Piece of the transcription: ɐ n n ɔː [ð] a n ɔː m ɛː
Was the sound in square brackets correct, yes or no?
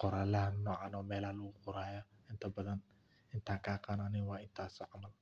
no